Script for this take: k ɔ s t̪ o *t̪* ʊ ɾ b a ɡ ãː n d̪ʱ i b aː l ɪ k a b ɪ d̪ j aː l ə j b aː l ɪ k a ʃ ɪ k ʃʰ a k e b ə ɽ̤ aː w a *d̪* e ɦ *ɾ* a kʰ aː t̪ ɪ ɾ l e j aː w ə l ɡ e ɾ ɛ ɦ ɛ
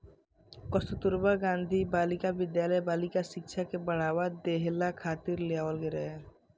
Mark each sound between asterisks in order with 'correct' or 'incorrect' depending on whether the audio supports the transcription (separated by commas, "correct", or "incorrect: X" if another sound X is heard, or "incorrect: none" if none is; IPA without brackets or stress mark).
correct, correct, incorrect: l